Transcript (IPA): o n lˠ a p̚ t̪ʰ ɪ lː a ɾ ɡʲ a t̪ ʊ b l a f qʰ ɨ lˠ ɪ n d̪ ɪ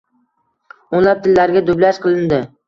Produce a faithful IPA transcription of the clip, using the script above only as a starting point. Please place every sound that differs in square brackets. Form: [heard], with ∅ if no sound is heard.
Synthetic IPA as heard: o n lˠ a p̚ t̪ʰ ɪ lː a ɾ ɡʲ a [d̪] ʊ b l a [ʃ] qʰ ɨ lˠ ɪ n d̪ ɪ